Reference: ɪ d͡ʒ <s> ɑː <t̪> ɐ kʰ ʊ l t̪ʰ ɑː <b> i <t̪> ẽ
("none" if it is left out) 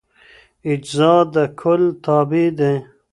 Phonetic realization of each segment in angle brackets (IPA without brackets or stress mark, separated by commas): z, d̪, b, d̪